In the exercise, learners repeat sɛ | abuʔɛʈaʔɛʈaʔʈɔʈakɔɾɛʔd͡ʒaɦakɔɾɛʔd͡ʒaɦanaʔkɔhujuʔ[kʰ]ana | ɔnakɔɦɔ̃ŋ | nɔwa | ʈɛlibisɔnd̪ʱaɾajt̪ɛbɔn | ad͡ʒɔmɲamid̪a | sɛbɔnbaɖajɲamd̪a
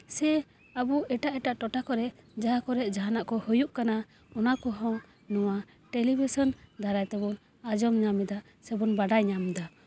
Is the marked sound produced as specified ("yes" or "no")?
no